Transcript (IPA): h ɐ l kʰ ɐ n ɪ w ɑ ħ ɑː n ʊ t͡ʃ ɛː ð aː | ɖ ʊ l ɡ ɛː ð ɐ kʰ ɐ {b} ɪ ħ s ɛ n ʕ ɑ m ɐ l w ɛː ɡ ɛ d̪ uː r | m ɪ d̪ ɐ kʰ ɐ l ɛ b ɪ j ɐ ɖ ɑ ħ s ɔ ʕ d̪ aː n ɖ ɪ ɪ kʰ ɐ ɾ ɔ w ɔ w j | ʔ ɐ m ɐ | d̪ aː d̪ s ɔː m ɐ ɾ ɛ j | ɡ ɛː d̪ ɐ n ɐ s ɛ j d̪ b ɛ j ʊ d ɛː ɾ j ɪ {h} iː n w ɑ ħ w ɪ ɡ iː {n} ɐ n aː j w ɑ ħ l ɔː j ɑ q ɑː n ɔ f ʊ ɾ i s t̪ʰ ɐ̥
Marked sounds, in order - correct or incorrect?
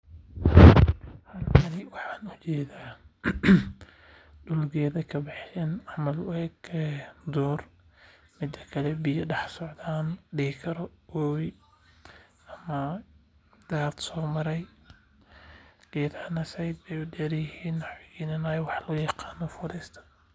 correct, correct, correct

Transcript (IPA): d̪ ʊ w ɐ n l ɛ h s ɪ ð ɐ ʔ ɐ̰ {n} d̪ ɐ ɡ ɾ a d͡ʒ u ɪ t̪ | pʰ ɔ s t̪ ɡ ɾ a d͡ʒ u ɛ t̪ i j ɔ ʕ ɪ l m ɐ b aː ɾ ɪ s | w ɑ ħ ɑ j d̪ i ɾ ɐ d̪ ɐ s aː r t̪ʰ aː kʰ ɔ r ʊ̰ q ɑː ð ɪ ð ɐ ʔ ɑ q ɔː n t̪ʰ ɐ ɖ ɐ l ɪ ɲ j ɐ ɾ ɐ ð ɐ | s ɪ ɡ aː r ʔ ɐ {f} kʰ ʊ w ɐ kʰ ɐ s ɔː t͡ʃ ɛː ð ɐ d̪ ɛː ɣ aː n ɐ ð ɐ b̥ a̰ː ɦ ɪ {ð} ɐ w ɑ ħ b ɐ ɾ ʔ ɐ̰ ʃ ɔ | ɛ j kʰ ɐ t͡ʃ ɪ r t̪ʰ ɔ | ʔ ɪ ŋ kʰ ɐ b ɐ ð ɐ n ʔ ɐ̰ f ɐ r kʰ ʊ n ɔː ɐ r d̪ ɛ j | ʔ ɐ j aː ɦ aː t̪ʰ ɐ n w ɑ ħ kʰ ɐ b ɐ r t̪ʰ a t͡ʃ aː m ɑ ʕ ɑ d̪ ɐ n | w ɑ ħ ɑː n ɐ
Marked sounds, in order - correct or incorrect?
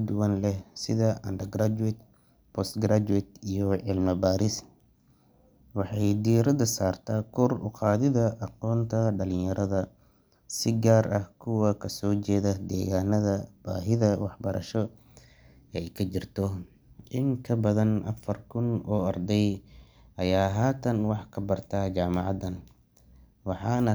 correct, incorrect, correct

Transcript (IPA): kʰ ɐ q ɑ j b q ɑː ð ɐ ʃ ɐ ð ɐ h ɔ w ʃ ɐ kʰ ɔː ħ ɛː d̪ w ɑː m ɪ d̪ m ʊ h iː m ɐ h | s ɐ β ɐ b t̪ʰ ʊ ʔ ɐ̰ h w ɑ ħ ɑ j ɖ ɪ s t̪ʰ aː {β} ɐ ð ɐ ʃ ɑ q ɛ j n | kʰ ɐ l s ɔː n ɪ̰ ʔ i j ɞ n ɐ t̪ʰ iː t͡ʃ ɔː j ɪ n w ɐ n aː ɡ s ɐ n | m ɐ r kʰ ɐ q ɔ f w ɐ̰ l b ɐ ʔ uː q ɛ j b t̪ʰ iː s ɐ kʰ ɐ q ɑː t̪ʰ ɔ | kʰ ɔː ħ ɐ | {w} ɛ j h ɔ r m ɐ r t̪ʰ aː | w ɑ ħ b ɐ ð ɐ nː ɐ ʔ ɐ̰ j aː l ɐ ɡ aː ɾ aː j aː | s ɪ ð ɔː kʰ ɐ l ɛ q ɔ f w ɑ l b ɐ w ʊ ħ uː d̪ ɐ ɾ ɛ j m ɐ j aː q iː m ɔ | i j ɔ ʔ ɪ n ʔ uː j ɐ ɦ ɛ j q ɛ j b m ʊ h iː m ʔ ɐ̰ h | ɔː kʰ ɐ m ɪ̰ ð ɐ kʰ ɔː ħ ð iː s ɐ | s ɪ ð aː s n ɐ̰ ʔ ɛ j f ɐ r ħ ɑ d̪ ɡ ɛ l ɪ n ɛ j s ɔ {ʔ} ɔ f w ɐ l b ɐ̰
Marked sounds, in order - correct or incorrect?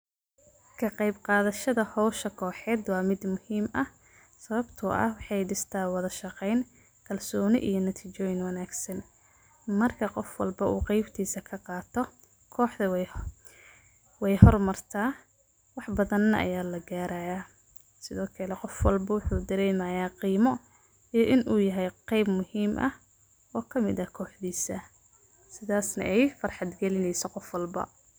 incorrect, correct, incorrect

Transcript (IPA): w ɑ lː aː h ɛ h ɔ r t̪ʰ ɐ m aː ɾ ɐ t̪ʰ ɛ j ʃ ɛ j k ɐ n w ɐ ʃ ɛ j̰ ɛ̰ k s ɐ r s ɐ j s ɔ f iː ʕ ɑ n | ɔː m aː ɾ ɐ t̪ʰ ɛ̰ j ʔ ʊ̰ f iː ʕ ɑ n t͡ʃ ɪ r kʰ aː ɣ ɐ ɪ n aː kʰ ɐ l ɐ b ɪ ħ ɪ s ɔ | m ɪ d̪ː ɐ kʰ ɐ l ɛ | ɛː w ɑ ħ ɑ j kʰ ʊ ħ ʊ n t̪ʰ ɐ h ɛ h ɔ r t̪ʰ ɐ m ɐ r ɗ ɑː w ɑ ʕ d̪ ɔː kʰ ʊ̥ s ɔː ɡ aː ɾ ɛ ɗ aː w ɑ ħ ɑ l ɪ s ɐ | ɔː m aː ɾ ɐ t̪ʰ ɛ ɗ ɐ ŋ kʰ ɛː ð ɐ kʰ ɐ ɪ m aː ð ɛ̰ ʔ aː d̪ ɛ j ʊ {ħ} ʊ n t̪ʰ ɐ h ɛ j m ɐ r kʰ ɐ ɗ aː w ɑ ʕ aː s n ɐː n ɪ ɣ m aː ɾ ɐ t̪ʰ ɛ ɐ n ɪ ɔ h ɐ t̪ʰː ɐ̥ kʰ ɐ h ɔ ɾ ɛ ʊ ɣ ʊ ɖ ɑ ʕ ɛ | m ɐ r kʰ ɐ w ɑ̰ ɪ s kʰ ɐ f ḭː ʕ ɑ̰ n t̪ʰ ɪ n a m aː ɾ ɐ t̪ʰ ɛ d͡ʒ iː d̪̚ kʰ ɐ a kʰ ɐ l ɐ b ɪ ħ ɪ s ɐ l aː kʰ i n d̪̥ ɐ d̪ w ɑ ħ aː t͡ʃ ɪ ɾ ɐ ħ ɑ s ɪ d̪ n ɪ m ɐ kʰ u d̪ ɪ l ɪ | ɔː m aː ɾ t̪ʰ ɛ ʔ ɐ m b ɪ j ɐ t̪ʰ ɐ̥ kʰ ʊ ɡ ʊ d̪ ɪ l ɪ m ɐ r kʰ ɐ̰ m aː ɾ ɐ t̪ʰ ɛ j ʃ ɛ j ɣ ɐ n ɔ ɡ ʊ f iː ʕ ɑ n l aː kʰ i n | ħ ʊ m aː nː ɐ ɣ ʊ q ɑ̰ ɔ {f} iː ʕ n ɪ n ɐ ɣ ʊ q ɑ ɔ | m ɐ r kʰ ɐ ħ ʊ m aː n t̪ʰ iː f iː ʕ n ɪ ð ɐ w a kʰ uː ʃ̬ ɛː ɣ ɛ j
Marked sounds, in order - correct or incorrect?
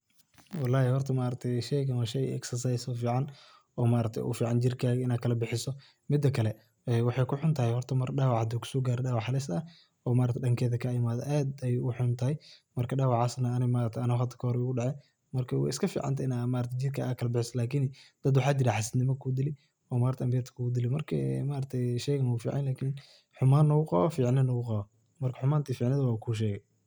correct, correct

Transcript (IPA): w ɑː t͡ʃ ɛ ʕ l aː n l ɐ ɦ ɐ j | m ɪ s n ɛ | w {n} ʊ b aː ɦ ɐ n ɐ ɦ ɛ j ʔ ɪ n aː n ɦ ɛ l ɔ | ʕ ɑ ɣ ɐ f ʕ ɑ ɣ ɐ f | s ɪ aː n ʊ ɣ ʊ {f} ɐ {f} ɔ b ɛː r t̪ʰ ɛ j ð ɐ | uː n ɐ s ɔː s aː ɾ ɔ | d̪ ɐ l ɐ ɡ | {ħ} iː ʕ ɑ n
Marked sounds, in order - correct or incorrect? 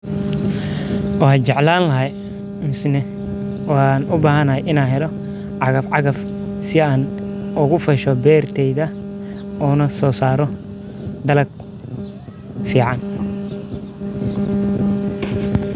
correct, correct, incorrect, incorrect

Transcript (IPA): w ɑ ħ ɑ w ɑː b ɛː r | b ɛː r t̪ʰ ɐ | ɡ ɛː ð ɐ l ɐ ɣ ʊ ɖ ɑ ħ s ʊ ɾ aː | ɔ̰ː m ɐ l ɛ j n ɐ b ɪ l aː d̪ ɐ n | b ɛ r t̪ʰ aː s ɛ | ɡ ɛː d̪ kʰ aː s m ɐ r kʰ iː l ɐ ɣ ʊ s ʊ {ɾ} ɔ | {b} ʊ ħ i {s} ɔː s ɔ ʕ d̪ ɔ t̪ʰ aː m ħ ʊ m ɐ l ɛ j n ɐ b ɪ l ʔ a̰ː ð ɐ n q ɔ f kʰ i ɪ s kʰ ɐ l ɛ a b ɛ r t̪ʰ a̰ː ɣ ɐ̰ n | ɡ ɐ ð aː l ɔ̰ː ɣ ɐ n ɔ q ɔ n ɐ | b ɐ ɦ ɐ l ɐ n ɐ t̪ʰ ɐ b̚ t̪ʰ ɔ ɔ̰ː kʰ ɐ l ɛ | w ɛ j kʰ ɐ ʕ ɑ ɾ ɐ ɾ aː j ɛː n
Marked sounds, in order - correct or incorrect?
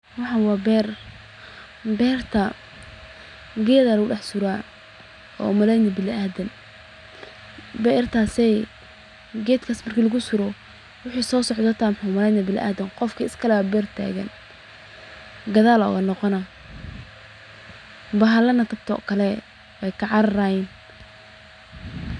correct, incorrect, correct

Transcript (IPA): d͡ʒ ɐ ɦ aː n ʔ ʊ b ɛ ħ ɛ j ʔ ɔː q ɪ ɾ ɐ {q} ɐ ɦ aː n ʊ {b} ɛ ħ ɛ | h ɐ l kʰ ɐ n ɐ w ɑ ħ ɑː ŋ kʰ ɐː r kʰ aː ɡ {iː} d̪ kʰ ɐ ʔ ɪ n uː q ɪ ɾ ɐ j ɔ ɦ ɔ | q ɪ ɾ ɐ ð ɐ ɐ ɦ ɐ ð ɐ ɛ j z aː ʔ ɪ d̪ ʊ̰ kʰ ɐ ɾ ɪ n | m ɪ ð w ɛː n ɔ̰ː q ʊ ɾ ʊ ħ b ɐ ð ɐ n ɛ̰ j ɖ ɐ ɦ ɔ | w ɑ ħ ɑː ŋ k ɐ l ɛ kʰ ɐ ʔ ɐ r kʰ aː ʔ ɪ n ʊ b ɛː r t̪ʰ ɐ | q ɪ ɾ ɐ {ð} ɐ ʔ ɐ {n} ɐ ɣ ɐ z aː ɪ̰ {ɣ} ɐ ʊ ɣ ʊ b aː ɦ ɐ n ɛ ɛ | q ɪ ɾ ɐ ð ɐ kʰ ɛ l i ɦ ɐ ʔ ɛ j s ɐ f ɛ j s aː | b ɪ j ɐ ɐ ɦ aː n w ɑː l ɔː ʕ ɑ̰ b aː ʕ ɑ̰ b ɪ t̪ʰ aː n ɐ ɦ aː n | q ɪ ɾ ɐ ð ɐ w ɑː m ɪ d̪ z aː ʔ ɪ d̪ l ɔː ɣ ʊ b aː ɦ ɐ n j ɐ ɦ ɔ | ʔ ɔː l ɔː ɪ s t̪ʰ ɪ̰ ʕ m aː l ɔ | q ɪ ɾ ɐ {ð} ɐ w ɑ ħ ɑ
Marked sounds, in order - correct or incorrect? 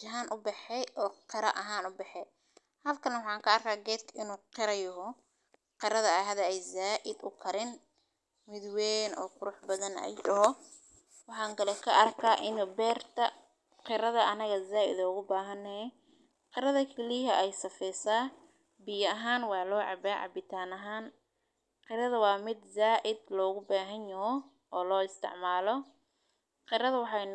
incorrect, correct, incorrect, correct, correct, incorrect, correct

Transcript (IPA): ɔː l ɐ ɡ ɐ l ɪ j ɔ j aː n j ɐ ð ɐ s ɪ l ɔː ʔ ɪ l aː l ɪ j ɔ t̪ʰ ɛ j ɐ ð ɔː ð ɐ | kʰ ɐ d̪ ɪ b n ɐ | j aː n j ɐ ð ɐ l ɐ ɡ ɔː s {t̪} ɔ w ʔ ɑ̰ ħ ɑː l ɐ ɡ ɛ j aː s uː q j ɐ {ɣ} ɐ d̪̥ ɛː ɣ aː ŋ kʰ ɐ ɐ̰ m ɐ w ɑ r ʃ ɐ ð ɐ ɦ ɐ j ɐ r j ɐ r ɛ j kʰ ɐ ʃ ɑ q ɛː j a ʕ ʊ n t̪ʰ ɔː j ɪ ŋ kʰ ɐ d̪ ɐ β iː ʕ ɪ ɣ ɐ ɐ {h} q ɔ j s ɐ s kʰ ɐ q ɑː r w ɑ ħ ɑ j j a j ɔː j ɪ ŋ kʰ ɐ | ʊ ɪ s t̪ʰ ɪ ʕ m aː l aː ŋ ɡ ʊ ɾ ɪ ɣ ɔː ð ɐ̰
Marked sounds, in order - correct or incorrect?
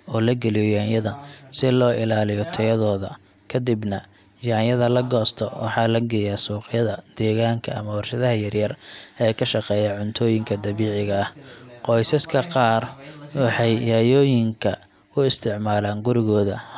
incorrect, incorrect, correct

